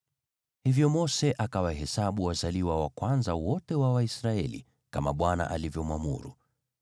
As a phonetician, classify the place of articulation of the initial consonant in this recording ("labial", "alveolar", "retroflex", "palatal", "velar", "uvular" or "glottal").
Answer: glottal